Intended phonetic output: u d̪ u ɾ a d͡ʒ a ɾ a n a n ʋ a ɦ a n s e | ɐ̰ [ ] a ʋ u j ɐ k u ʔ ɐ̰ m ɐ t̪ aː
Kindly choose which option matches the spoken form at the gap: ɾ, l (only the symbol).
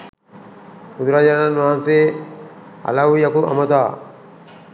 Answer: l